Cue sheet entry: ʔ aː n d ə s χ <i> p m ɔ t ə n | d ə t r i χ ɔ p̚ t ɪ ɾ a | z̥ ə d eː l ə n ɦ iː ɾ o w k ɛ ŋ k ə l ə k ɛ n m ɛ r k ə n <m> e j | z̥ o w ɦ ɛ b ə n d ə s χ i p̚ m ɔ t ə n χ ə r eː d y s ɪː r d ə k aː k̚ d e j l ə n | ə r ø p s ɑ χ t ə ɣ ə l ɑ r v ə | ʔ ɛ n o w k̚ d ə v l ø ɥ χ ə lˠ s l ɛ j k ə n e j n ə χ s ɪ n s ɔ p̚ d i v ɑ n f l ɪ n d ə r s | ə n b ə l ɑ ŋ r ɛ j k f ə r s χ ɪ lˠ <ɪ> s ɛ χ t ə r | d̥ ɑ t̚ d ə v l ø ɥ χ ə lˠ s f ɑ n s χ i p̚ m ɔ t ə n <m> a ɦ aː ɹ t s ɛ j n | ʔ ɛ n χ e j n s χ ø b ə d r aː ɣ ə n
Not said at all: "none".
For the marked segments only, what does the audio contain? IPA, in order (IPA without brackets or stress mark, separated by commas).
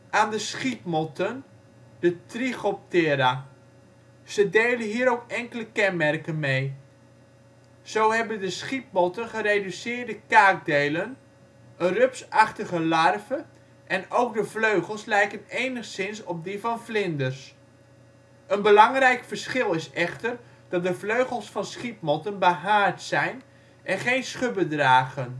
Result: i, m, ɪ, b